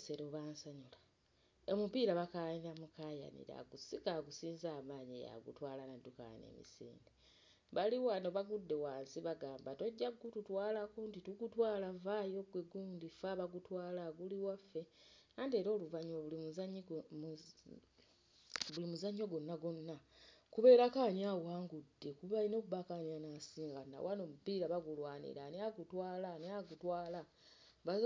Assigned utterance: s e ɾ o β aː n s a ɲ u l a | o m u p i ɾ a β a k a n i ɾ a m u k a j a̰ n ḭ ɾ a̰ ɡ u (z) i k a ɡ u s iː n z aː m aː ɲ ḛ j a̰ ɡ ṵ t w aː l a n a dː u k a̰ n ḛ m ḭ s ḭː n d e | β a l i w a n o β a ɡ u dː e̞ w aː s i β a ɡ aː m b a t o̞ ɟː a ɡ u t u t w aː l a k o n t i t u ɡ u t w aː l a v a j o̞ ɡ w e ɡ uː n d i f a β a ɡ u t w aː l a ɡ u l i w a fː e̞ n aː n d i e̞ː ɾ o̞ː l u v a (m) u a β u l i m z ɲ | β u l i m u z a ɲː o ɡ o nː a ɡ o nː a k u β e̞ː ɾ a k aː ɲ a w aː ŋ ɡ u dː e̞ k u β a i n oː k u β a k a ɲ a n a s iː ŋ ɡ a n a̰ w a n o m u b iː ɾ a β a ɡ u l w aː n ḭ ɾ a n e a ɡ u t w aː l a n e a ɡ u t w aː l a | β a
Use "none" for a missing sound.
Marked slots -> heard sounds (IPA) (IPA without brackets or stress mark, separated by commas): s, ɲ